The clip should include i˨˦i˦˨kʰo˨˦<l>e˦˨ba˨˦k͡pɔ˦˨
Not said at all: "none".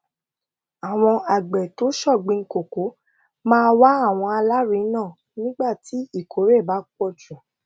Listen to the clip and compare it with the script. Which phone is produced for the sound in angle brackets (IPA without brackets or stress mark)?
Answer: ɾ